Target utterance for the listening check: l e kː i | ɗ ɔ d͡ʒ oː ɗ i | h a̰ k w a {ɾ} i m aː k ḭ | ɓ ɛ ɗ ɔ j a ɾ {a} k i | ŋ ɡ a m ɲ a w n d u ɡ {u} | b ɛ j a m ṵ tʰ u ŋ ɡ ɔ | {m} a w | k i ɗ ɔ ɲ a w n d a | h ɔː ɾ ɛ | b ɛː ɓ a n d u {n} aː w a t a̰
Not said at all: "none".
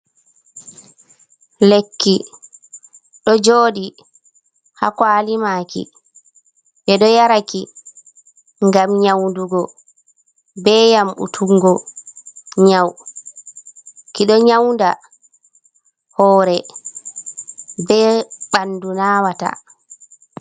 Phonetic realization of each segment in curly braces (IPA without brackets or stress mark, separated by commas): l, a, ɔ, ɲ, n